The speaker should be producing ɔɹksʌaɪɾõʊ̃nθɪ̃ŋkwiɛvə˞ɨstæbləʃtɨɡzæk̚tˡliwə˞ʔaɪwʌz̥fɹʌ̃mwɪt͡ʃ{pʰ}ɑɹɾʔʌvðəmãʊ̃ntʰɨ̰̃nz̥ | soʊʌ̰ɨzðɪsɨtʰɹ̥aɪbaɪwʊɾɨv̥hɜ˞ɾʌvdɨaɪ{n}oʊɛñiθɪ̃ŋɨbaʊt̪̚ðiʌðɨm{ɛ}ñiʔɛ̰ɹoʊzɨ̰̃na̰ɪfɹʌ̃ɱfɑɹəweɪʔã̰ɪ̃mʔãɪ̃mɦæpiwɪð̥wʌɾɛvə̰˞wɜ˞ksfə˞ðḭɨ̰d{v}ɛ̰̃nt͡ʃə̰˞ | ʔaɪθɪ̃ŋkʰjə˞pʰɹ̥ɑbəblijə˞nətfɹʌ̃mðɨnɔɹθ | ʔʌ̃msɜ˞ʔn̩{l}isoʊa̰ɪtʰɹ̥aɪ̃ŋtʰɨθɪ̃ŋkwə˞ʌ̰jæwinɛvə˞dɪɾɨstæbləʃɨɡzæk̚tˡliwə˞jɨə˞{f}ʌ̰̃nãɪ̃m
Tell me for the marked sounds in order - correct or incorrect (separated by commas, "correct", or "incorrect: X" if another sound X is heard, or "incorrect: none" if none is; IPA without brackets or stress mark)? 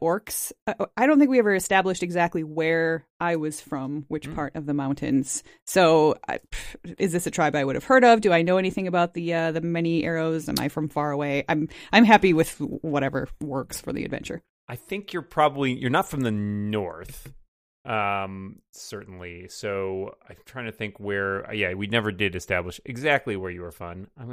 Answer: correct, correct, correct, correct, correct, correct